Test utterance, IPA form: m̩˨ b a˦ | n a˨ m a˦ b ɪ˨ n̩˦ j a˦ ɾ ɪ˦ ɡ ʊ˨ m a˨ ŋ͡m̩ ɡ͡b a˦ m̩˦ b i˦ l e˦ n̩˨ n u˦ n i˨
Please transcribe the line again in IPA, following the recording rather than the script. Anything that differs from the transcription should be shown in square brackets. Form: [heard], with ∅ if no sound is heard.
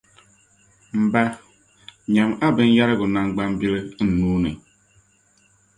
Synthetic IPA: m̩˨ b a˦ | [ɲ] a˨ m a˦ b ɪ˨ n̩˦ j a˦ ɾ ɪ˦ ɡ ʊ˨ [n] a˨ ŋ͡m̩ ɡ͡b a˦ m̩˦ b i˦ l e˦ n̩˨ n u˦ n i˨